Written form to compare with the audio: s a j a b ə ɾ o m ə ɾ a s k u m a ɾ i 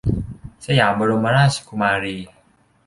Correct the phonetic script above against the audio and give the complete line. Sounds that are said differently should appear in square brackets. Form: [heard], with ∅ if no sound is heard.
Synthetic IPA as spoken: s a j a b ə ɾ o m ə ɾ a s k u m a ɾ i